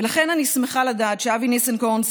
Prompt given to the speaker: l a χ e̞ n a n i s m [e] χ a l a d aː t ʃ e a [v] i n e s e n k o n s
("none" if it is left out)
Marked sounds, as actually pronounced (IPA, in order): e, v

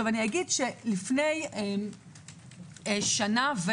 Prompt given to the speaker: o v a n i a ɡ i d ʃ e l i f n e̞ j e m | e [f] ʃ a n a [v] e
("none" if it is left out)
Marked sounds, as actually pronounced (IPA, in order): none, v

